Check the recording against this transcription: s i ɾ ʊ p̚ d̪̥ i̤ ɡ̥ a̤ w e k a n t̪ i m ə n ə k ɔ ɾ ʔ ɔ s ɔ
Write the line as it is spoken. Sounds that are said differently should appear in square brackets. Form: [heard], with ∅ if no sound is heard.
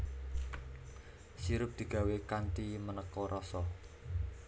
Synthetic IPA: s i ɾ ʊ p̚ d̪̥ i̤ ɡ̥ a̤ w e k a n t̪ i m ə n ə k ɔ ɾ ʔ ɔ s ɔ

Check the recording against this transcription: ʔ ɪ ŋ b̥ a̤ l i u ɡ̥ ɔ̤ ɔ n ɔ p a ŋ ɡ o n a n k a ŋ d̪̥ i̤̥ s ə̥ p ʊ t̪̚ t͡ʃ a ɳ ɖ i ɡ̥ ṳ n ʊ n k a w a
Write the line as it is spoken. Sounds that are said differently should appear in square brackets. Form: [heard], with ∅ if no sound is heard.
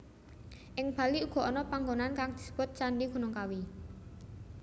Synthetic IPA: ʔ ɪ ŋ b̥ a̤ l i u ɡ̥ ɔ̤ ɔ n ɔ p a ŋ ɡ o n a n k a ŋ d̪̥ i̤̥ s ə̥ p ʊ t̪̚ t͡ʃ a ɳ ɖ i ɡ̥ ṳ n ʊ [ŋ] k a w [i]

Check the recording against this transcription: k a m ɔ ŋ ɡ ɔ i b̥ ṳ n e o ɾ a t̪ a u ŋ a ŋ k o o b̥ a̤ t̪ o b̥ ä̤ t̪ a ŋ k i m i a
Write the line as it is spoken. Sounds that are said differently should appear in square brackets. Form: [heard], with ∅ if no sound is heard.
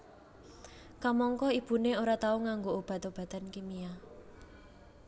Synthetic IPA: k a m ɔ ŋ [k] ɔ i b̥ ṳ n e o ɾ a t̪ a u ŋ a ŋ [ɡ] o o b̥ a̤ t̪ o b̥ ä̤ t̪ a [n] k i m i a

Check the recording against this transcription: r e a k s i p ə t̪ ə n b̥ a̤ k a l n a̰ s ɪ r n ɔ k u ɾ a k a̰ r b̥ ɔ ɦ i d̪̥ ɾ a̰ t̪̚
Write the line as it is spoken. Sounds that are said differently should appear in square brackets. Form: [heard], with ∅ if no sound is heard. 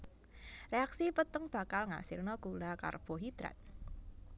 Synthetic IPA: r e a k s i p ə t̪ ə [ŋ] b̥ a̤ k a l [ŋ] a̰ s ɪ r n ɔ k u [l] a k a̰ r b̥ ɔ ɦ i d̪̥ ɾ a̰ t̪̚

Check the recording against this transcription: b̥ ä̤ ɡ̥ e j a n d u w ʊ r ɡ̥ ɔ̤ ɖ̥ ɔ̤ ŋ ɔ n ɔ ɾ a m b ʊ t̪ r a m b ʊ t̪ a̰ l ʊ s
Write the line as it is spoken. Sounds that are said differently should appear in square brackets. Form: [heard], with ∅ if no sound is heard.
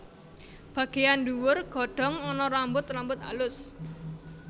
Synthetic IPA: b̥ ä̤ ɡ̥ e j a n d u w ʊ r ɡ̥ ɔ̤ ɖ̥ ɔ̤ ŋ ɔ n ɔ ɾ a m b ʊ t̪ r a m b ʊ t̪ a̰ l ʊ s

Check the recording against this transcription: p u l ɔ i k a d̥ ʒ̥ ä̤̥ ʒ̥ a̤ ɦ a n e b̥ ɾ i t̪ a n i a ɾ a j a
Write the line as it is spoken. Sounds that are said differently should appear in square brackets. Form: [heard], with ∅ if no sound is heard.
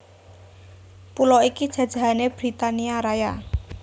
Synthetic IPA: p u l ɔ i k [i] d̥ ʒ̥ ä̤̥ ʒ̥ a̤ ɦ a n e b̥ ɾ i t̪ a n i a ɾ a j a

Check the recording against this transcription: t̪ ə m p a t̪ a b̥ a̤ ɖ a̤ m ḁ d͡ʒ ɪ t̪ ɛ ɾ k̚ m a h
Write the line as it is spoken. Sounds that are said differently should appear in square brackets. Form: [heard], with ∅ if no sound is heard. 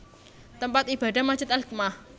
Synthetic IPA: t̪ ə m p a t̪ [i] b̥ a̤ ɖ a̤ m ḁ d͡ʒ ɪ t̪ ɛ [l] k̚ m a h

